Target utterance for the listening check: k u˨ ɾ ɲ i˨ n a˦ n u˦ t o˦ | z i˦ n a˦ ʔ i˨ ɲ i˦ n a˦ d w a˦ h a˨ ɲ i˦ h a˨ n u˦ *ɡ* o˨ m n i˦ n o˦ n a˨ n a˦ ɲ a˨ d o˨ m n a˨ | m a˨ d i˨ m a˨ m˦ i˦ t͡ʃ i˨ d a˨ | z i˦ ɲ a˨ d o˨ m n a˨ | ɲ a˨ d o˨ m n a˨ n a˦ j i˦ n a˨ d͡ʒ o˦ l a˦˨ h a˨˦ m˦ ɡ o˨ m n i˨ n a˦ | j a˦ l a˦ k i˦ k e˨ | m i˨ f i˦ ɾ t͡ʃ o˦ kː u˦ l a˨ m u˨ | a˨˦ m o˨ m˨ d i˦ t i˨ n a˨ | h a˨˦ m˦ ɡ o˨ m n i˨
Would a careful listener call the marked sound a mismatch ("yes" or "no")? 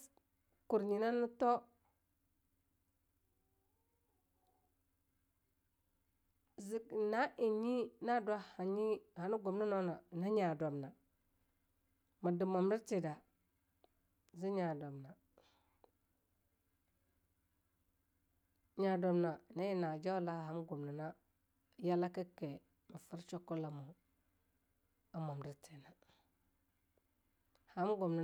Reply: no